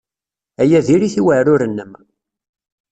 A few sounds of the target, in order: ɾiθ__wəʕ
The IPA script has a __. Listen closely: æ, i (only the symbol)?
i